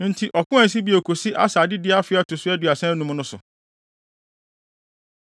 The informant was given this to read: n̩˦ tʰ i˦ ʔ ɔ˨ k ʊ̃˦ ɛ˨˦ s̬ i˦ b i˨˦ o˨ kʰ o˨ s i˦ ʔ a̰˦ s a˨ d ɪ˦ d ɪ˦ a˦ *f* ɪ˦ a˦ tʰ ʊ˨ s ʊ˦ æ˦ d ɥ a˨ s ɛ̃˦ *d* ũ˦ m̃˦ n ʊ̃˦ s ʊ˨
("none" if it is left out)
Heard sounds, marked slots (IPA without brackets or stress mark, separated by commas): f, n